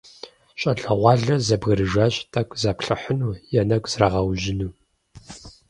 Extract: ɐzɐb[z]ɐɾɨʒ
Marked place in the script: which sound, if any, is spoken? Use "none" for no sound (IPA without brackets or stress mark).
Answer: ɣ